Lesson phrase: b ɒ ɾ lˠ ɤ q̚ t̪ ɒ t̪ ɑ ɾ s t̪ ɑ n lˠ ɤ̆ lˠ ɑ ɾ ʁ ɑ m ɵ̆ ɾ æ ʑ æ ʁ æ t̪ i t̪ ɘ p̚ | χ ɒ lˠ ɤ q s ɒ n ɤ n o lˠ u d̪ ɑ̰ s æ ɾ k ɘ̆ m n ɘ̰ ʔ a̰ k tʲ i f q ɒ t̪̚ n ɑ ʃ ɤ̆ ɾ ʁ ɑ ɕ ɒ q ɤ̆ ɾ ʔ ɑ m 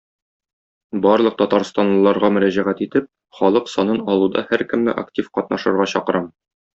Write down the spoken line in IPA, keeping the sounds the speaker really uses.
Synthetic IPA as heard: b ɒ ɾ lˠ ɤ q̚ t̪ ɒ t̪ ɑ ɾ s t̪ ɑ n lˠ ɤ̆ lˠ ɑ ɾ ʁ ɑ m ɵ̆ ɾ æ ʑ æ ʁ æ t̪ i t̪ ɘ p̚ | χ ɒ lˠ ɤ q s ɒ n ɤ n ɒ lˠ u d̪ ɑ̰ h æ ɾ k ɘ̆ m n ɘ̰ ʔ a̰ k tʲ i f q ɒ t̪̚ n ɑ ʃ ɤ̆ ɾ ʁ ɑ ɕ ɒ q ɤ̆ ɾ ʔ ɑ m